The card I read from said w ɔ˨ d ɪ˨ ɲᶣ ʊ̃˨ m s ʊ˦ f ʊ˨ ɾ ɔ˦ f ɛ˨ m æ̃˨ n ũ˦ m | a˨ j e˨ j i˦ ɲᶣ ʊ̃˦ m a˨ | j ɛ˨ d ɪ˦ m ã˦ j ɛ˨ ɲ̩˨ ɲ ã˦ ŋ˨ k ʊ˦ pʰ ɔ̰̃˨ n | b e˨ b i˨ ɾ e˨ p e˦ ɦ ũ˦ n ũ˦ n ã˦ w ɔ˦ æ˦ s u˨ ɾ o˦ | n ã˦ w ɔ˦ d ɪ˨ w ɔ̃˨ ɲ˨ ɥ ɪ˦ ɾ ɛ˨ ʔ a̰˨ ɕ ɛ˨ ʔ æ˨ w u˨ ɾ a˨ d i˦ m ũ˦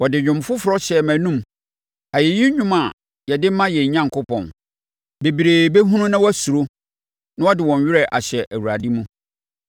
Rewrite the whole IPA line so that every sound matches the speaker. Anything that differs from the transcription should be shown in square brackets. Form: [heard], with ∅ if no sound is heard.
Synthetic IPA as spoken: w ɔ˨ d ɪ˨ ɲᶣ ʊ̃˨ m [f] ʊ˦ f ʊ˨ ɾ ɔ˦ [ɕ] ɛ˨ m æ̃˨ n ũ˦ m | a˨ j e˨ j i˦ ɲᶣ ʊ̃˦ m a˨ | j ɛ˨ d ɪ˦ m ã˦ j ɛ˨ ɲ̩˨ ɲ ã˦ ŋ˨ k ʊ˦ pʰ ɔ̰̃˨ n | b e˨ b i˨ ɾ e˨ [b] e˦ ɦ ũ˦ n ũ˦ n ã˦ w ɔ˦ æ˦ s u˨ ɾ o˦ | n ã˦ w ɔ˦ d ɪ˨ w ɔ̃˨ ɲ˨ ɥ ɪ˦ ɾ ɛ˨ ʔ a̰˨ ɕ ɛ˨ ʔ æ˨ w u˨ ɾ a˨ d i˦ m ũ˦